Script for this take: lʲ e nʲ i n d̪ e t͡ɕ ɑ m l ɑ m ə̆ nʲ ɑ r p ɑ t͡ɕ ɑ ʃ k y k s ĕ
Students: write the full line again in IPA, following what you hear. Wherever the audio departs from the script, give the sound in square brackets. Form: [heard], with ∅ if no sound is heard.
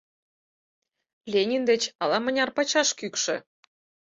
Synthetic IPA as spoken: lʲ e nʲ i n d̪ e t͡ɕ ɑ [∅] l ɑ m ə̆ nʲ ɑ r p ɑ t͡ɕ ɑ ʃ k y k [ʃ] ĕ